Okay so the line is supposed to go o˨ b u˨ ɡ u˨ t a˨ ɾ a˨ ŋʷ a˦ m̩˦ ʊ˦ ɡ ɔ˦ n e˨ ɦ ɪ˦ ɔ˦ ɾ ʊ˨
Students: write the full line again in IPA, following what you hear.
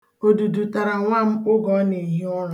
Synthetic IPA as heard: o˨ d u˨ d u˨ t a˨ ɾ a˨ ŋʷ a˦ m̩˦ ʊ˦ ɡ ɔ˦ n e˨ ɦ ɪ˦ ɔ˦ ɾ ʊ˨